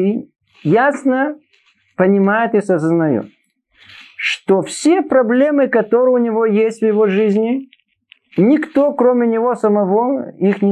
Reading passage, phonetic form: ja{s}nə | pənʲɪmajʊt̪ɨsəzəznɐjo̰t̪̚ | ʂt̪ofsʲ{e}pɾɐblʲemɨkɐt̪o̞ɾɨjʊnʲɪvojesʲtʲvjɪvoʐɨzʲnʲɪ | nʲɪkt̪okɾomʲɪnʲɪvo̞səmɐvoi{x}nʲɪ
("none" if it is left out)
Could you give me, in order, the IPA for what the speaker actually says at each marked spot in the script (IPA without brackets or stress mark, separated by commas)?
s, e, x